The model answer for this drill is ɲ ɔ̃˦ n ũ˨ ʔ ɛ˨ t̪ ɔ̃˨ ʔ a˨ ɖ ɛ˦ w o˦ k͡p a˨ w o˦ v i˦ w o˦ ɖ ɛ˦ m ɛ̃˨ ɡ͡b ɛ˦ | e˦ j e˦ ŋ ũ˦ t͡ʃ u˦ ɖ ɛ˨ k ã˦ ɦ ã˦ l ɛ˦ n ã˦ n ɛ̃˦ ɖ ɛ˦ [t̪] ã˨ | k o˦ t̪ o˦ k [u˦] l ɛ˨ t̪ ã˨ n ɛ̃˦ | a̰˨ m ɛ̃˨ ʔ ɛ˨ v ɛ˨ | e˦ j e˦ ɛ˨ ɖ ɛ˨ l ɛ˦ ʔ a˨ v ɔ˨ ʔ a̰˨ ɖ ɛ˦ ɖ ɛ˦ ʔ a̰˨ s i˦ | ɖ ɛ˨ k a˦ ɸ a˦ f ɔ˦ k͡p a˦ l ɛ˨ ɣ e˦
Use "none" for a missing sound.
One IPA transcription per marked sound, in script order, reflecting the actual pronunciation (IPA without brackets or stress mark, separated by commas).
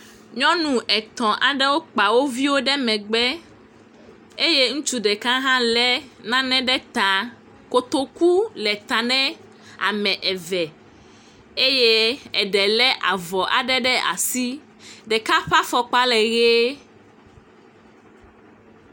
t̪, u˦